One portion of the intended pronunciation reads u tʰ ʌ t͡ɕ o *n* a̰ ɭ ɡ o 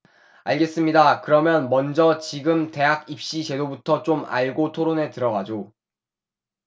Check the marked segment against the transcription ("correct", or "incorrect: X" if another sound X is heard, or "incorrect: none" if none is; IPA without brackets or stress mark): incorrect: m